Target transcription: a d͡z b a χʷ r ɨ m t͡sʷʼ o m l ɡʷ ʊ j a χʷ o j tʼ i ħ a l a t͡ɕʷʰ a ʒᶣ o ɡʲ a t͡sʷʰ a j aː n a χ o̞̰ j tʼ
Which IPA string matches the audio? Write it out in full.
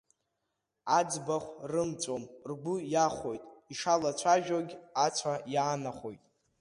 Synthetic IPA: a d͡z b a χʷ r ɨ m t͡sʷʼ o m r ɡʷ ʊ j a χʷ o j tʼ i ʂ a l a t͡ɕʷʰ a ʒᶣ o ɡʲ a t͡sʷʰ a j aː n a χ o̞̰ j tʼ